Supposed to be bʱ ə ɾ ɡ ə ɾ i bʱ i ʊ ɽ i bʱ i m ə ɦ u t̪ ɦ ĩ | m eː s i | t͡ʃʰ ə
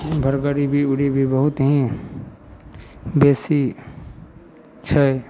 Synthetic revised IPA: bʱ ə ɾ ɡ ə ɾ i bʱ i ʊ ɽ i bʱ i b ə ɦ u t̪ ɦ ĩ | b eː s i | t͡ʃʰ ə